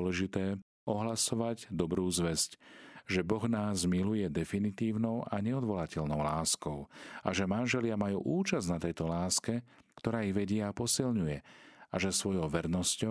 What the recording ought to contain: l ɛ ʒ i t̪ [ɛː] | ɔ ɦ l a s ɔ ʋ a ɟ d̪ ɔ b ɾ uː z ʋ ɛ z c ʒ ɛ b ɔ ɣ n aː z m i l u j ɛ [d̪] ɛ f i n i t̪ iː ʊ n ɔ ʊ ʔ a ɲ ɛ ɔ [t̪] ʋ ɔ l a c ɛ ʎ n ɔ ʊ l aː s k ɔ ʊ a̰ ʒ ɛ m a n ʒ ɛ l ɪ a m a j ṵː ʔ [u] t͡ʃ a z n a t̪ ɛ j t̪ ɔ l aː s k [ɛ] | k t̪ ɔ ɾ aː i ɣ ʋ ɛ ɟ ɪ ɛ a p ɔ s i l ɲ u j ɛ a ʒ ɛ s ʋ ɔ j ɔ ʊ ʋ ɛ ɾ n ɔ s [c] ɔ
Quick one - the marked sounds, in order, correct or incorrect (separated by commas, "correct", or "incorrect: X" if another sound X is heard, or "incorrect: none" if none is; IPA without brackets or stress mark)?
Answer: correct, correct, incorrect: d̪, incorrect: uː, correct, correct